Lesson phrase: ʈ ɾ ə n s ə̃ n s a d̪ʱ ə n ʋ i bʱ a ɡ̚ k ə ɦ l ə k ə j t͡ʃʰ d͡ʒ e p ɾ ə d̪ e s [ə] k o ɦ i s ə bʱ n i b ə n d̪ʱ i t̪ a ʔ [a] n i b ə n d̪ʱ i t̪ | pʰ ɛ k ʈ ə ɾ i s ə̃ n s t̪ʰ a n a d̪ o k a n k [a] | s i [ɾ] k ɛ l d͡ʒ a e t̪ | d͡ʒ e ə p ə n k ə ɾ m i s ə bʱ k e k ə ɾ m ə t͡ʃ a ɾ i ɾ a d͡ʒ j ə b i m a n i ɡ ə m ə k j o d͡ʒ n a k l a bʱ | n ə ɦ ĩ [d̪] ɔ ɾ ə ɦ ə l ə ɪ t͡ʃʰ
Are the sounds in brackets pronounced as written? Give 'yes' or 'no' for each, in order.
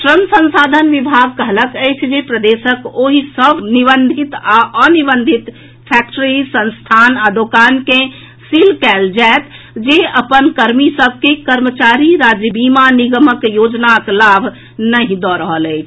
yes, no, no, no, yes

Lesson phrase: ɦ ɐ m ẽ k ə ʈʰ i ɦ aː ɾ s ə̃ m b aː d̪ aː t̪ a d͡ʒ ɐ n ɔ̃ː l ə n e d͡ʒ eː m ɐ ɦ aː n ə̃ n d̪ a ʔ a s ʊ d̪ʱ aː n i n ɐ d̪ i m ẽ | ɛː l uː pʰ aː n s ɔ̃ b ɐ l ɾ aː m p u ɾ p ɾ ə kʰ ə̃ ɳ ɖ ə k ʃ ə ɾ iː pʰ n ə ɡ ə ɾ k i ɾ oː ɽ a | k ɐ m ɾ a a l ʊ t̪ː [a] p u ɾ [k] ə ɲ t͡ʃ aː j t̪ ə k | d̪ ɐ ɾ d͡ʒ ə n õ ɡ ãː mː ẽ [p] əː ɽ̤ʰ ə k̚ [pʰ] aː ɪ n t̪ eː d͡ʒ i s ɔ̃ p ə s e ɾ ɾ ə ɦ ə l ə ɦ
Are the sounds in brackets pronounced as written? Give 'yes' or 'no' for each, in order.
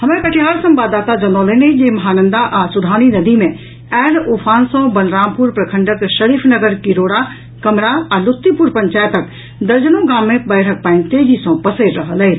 no, no, no, no

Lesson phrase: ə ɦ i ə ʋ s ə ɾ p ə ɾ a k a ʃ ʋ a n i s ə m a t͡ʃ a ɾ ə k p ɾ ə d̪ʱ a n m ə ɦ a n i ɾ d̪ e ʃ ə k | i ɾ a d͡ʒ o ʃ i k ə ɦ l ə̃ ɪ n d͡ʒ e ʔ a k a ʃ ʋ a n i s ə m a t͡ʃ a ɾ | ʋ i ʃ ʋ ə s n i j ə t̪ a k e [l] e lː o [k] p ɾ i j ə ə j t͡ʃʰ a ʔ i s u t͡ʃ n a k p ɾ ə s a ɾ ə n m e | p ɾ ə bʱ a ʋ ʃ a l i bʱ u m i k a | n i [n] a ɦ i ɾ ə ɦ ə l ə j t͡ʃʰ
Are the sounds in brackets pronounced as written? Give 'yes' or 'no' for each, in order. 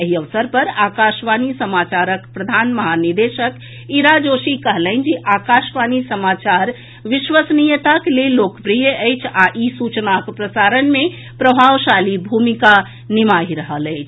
yes, yes, no

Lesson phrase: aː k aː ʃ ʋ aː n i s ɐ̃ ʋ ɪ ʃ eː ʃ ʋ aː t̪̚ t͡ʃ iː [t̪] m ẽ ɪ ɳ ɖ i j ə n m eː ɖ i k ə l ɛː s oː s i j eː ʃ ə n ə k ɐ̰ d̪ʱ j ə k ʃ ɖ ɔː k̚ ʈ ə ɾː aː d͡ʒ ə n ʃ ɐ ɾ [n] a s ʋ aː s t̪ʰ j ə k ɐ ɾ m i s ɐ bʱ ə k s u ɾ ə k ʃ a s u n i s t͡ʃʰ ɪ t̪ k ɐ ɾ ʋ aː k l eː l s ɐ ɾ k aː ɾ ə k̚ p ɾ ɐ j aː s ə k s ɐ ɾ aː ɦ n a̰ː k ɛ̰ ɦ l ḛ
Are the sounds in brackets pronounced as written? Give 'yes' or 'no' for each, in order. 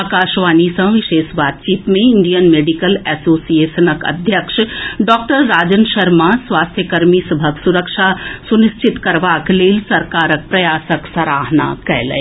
yes, no

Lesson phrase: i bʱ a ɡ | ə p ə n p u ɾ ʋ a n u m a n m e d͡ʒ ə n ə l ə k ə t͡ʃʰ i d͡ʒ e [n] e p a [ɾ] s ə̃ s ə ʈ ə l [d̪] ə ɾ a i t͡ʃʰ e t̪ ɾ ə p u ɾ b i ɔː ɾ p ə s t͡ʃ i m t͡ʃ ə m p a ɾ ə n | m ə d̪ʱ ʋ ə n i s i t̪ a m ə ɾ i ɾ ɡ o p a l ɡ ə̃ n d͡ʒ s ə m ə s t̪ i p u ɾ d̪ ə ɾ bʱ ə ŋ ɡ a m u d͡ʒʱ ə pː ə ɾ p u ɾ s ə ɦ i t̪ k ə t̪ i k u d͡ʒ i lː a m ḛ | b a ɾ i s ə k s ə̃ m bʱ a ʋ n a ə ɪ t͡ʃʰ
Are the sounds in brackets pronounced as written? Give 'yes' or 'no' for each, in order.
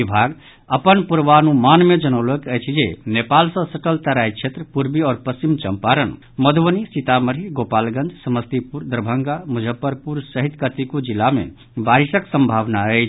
yes, no, no

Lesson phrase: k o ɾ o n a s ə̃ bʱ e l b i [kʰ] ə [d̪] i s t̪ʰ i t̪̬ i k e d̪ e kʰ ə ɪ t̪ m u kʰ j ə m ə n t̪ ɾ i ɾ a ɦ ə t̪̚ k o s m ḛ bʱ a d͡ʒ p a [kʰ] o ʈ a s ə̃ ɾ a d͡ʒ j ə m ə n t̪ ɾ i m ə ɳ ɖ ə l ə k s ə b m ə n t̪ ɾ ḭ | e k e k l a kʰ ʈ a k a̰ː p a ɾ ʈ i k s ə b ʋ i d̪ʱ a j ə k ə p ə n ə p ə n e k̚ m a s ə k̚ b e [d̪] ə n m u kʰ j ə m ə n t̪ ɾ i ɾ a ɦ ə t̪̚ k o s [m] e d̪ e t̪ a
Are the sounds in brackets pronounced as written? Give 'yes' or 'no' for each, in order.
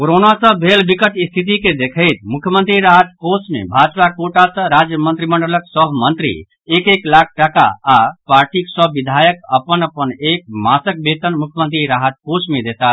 no, no, no, no, yes

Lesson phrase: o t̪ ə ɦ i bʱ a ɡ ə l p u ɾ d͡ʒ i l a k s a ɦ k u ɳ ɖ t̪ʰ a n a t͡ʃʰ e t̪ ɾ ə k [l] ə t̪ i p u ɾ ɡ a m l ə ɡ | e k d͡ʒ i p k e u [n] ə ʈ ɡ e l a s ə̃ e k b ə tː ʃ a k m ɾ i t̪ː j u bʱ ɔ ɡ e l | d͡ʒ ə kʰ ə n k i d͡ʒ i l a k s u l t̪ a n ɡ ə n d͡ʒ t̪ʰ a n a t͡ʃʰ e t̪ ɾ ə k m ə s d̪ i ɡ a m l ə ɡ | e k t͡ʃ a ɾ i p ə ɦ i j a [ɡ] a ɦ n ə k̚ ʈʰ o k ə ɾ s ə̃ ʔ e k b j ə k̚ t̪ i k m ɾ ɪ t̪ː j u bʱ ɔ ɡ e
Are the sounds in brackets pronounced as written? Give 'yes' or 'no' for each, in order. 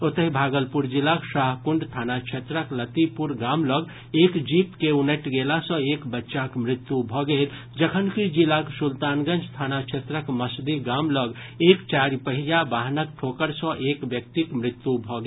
yes, yes, no

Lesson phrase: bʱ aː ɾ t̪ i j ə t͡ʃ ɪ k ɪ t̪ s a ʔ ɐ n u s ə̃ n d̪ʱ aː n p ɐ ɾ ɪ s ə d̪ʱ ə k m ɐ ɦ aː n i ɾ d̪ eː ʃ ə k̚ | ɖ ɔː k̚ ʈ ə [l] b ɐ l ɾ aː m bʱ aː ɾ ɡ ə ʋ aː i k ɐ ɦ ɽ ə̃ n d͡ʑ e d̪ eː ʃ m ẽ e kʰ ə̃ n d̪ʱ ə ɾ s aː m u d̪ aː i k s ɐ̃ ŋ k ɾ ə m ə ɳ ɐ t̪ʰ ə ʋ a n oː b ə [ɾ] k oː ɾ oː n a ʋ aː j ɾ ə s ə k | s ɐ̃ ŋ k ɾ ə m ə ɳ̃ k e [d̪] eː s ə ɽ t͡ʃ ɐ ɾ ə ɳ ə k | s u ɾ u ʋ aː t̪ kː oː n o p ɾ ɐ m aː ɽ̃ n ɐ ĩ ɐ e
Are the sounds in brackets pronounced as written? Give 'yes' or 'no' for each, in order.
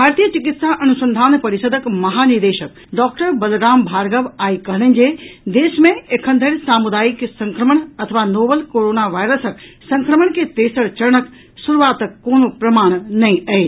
no, no, no

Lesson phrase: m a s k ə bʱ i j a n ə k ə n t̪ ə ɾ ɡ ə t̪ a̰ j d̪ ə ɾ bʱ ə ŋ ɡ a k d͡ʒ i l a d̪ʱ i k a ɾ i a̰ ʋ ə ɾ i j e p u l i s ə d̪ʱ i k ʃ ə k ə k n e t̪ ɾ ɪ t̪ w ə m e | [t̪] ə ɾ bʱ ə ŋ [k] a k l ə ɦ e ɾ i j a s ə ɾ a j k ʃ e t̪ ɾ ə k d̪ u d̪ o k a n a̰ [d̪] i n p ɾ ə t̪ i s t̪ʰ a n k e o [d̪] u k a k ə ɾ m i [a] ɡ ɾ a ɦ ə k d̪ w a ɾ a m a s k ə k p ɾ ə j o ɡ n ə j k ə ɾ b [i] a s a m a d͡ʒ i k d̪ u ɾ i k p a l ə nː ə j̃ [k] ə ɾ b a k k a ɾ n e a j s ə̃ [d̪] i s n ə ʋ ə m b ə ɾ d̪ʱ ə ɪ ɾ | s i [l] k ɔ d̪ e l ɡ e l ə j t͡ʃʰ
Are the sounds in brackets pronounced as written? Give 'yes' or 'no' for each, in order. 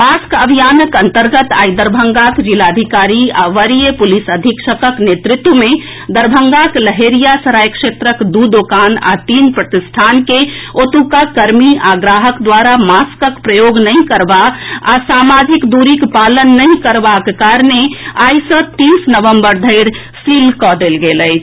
no, no, no, no, yes, no, yes, no, yes

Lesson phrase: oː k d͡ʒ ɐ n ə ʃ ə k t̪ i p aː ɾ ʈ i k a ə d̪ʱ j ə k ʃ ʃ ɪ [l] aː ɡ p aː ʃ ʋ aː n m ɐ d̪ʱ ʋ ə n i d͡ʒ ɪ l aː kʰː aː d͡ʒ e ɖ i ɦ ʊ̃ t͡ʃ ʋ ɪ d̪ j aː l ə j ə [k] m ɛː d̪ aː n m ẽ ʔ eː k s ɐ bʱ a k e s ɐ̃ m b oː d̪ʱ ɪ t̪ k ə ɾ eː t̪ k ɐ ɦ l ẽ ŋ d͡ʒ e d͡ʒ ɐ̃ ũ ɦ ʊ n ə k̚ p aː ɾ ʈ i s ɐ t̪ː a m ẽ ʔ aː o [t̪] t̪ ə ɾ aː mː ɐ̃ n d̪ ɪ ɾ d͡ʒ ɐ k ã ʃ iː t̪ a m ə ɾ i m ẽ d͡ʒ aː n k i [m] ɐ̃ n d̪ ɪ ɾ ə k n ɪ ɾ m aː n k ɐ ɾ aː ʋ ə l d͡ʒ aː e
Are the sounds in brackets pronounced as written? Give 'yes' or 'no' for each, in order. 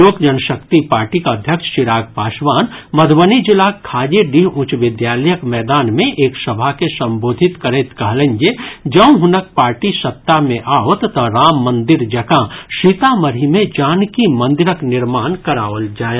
no, yes, yes, yes

